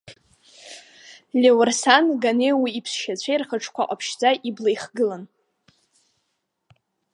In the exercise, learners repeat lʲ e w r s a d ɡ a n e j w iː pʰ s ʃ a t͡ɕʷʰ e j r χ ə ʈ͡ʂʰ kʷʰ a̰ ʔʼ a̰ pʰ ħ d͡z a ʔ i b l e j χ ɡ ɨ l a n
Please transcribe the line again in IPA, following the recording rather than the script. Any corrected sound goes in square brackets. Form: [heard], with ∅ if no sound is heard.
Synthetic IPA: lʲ e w r s a [n] ɡ a n e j w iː pʰ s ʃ a t͡ɕʷʰ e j r χ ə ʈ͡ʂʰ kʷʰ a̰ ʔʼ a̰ pʰ [ʃ] d͡z a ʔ i b l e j χ ɡ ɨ l a n